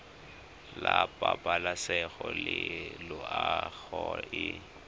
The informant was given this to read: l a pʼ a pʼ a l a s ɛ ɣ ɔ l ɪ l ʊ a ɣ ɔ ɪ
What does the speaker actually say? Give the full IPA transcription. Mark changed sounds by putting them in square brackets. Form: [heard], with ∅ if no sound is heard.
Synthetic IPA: l a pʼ a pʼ a l a s ɛ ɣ ɔ l ɪ l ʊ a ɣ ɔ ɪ